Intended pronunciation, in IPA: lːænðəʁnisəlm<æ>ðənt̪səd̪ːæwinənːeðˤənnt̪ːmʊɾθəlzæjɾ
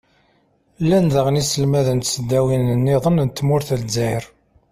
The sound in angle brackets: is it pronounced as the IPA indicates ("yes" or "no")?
yes